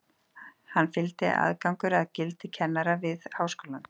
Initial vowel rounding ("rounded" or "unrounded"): unrounded